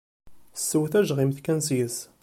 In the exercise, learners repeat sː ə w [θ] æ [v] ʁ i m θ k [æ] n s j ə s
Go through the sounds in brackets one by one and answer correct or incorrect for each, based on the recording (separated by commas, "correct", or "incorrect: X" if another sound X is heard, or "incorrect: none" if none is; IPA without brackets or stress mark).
correct, incorrect: ʒ, correct